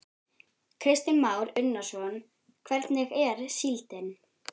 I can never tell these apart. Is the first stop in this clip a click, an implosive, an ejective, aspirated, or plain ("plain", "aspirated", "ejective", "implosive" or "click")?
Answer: aspirated